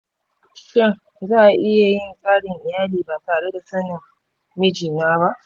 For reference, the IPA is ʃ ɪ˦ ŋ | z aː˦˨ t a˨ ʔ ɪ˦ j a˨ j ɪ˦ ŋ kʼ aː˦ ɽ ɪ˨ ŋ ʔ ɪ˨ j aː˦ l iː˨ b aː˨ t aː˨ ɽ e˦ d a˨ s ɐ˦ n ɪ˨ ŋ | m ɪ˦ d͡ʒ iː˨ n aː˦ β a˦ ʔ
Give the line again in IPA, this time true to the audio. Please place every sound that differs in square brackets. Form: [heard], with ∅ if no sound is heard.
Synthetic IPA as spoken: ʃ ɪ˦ ŋ | z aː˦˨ [ʔ] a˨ ʔ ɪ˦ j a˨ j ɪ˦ ŋ kʼ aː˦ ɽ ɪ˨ ŋ ʔ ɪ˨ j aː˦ l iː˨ b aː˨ t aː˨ ɽ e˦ d a˨ s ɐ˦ n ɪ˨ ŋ | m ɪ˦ d͡ʒ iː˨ n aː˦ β a˦ ʔ